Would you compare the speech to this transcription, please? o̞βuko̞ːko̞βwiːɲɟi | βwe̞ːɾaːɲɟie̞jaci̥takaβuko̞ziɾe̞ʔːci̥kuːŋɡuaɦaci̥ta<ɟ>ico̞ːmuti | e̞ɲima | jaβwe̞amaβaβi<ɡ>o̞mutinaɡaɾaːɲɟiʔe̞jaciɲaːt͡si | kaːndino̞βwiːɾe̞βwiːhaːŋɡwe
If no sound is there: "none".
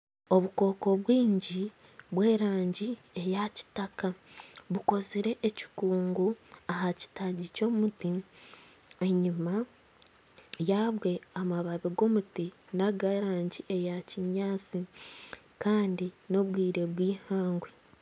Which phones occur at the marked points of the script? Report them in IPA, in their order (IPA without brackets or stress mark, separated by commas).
ɟ, ɡ